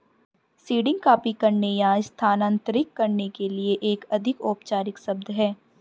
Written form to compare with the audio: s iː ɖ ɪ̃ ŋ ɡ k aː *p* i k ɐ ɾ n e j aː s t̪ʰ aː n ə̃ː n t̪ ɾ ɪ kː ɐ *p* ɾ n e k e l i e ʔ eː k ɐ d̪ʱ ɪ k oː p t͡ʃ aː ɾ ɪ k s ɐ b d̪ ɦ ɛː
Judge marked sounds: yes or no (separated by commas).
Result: yes, no